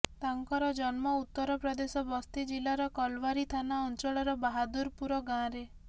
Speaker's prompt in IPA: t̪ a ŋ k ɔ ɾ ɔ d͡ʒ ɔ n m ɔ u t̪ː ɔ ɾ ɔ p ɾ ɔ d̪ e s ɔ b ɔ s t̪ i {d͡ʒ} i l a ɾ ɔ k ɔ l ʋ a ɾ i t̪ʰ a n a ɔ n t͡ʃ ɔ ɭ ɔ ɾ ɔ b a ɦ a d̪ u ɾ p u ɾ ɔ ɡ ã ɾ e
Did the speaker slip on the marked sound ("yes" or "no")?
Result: no